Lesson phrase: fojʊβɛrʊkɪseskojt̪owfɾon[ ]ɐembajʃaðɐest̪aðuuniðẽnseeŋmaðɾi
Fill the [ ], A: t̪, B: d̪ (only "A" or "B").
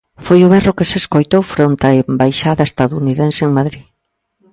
A